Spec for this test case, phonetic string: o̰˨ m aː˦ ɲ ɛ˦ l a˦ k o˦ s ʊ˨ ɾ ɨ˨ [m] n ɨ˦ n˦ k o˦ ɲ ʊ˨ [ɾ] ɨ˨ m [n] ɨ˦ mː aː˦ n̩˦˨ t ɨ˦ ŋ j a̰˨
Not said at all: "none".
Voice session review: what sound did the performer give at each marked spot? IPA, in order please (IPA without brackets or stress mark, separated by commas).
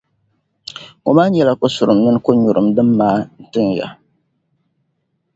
m, ɾ, d